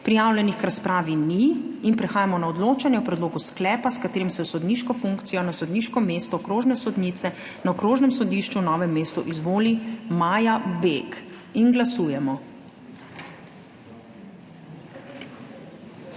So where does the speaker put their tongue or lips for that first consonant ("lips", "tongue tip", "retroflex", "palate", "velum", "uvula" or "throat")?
lips